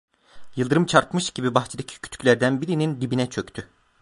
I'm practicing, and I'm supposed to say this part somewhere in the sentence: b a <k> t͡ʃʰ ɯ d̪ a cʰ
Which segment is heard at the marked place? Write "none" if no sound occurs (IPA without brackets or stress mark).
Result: x